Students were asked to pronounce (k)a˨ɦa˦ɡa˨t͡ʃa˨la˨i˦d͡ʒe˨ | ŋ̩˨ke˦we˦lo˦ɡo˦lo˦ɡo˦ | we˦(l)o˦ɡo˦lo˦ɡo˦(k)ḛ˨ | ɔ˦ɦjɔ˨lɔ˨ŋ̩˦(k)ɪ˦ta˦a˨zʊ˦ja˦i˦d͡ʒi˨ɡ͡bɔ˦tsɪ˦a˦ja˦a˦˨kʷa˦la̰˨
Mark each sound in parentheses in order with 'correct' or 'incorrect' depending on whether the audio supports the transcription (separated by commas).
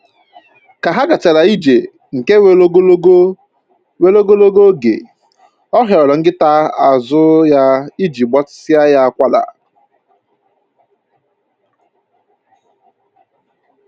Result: correct, correct, incorrect, incorrect